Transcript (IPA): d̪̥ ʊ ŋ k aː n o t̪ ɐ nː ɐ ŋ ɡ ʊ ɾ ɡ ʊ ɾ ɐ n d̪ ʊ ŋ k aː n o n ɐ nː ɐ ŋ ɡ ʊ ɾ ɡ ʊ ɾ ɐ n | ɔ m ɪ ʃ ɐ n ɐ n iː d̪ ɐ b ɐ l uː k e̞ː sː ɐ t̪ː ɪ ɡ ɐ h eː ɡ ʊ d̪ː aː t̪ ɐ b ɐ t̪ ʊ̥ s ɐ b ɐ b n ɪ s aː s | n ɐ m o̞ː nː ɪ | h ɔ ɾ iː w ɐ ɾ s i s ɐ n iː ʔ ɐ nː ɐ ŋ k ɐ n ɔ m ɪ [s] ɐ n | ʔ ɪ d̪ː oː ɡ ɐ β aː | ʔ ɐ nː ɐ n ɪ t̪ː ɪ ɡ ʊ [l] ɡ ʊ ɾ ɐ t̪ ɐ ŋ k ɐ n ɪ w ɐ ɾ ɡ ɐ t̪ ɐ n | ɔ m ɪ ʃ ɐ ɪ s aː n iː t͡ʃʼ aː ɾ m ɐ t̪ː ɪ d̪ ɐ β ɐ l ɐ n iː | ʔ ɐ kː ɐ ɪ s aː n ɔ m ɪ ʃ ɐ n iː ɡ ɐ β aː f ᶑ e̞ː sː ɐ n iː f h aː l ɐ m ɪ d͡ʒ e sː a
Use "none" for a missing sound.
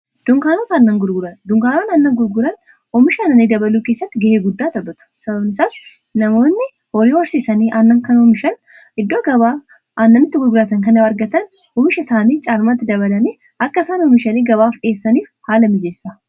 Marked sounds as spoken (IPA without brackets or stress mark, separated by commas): ʃ, ɾ